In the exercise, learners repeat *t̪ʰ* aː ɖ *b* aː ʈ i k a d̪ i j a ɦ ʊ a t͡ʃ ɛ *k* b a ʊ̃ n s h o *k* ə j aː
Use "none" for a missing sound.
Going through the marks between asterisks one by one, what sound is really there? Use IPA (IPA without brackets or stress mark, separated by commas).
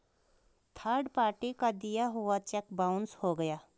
t̪ʰ, p, k, ɡ